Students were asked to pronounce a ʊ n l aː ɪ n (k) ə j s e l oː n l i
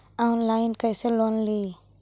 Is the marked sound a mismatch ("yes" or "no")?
no